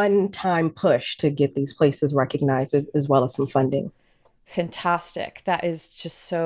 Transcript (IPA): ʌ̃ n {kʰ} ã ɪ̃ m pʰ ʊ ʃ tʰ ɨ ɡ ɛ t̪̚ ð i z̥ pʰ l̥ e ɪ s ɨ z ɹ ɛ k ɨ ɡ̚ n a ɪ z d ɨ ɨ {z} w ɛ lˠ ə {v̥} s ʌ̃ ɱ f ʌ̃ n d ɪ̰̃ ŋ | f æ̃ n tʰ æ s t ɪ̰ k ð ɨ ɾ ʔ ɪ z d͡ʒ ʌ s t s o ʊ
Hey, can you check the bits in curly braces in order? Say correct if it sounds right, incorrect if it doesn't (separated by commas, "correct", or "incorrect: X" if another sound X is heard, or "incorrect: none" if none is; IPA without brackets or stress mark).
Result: incorrect: tʰ, correct, incorrect: z̥